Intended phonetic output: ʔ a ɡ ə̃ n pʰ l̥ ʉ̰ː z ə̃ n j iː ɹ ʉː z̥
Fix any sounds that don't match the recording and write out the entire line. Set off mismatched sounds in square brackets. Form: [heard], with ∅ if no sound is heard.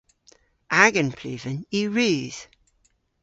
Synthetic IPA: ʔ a ɡ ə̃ n pʰ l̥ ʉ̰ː [v] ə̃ n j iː ɹ ʉː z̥